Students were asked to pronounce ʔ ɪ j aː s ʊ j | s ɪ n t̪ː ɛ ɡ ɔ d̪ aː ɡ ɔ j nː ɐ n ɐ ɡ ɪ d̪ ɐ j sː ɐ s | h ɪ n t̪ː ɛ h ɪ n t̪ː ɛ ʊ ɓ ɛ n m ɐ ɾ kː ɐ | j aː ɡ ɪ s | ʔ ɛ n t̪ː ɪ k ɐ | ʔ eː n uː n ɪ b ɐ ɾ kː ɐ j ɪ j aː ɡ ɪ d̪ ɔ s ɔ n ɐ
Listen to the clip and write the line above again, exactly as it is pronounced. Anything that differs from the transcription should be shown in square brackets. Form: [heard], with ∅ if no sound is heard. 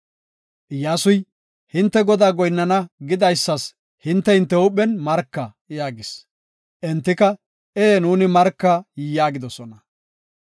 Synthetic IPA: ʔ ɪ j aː s ʊ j | [h] ɪ n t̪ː ɛ ɡ ɔ d̪ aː ɡ ɔ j nː ɐ n ɐ ɡ ɪ d̪ ɐ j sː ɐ s | h ɪ n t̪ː ɛ h ɪ n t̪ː ɛ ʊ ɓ ɛ n m ɐ ɾ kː ɐ | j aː ɡ ɪ s | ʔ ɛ n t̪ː ɪ k ɐ | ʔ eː n uː n ɪ [m] ɐ ɾ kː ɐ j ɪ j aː ɡ ɪ d̪ ɔ s ɔ n ɐ